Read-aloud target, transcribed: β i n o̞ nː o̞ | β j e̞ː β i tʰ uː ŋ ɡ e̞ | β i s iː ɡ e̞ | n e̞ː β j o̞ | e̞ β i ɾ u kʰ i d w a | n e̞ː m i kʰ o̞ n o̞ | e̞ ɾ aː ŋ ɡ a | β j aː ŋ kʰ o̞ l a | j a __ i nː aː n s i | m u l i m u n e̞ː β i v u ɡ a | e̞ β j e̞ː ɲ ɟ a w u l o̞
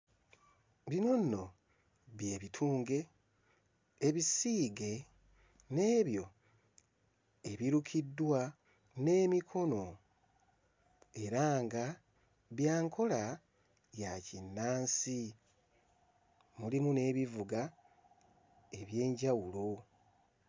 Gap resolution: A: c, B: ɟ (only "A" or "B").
A